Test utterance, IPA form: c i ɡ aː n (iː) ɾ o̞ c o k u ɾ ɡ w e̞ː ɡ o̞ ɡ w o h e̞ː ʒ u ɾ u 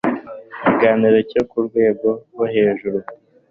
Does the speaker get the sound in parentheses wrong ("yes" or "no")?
yes